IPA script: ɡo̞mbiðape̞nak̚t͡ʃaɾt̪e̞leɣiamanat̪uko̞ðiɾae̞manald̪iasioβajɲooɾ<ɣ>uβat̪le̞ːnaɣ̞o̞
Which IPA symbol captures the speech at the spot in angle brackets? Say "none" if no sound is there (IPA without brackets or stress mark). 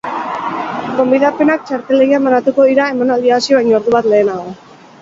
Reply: ð